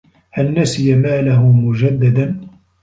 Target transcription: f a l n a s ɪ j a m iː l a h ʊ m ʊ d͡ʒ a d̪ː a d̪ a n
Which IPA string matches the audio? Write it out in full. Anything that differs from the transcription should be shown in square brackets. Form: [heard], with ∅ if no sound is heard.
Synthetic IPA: [h] a l n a s ɪ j a m [aː] l a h ʊ m ʊ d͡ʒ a d̪ː a d̪ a n